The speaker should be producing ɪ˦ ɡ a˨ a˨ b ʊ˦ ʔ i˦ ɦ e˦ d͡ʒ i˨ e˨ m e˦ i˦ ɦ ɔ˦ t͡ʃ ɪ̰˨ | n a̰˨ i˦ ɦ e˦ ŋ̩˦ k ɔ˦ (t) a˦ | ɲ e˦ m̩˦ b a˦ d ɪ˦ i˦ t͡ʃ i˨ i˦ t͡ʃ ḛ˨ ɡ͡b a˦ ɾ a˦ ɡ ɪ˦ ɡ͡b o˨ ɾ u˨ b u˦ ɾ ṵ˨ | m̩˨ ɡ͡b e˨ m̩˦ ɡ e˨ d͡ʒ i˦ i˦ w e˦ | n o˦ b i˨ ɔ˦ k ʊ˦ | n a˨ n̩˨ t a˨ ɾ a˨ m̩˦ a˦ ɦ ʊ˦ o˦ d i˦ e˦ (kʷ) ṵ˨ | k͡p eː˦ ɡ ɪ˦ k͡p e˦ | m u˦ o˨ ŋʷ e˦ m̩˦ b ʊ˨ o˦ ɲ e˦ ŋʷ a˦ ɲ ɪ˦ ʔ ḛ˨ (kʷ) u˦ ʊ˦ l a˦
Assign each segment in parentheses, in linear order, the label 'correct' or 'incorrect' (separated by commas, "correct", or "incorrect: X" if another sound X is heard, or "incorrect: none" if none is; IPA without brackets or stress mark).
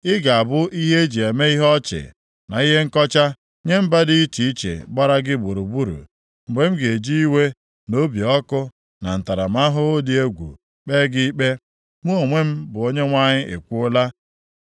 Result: incorrect: t͡ʃ, incorrect: ɡʷ, correct